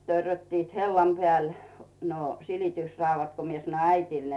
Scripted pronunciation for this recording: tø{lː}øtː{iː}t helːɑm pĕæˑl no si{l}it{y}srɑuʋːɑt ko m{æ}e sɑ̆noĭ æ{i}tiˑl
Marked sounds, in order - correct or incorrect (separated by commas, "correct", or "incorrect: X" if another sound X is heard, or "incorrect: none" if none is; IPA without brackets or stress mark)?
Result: incorrect: rː, correct, correct, correct, incorrect: i, correct